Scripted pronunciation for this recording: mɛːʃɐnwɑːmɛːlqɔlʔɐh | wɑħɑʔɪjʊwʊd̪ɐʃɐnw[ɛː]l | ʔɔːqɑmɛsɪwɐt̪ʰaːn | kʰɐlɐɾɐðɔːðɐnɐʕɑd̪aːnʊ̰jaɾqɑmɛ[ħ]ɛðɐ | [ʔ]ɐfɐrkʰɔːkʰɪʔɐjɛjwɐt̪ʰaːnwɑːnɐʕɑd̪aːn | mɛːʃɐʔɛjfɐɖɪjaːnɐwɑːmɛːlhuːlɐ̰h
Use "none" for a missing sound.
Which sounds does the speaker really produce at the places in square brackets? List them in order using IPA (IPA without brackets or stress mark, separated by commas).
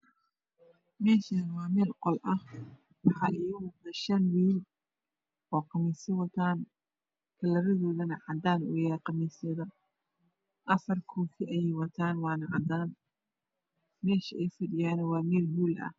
iː, s, ʔ